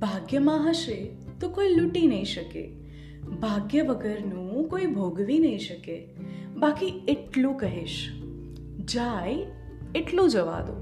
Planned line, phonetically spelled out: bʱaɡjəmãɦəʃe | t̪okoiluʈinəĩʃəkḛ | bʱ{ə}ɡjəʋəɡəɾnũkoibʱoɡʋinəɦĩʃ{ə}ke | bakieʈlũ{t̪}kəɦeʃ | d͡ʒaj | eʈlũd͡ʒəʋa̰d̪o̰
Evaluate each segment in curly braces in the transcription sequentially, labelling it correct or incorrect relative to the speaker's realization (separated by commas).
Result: incorrect, correct, incorrect